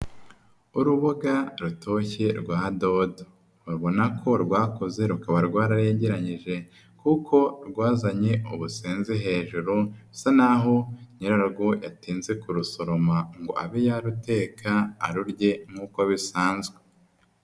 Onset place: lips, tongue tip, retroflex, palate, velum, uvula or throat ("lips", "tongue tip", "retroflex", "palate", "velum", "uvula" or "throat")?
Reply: tongue tip